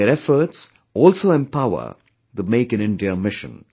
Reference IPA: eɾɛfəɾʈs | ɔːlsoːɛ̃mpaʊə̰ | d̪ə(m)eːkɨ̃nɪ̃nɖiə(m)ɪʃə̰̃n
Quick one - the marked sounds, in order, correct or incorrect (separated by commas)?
correct, correct